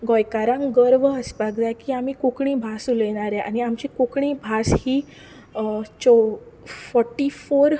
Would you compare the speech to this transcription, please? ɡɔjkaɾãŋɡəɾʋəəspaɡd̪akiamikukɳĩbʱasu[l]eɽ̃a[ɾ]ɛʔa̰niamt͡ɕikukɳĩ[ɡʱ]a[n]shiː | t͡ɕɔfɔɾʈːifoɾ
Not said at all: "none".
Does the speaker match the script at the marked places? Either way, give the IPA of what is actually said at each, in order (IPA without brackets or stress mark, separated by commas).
l, ɾ, bʱ, none